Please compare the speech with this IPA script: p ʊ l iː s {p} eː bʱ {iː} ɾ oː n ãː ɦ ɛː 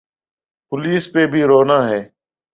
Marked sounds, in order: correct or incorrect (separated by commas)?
correct, correct